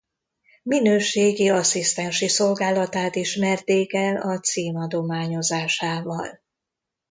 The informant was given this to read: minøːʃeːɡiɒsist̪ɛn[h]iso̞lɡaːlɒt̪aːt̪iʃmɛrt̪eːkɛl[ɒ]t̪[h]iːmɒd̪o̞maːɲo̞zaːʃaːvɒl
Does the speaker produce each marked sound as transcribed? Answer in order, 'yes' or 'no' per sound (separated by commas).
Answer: no, yes, no